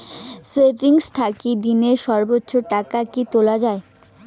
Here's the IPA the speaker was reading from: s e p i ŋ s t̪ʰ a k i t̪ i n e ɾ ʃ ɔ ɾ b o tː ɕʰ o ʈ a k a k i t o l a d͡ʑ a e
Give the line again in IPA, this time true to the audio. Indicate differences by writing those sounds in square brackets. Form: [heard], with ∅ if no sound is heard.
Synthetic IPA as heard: s e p i ŋ s t̪ʰ a k i [d̪] i n e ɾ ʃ ɔ ɾ b o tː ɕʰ o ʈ a k a k i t o l a d͡ʑ a e